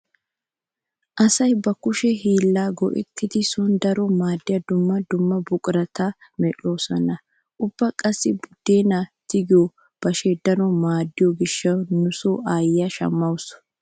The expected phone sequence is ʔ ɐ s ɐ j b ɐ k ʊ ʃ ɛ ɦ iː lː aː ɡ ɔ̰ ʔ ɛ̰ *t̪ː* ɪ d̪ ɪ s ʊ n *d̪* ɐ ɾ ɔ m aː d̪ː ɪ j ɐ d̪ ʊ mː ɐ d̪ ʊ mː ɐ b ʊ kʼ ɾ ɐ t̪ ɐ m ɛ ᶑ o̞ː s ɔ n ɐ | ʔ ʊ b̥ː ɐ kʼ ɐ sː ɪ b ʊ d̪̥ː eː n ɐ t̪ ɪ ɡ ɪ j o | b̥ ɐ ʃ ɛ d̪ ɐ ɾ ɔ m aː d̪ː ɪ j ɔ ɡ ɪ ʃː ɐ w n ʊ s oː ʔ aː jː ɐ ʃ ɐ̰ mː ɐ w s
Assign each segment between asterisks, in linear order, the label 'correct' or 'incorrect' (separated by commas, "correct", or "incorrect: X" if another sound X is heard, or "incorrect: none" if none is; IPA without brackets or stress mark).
correct, correct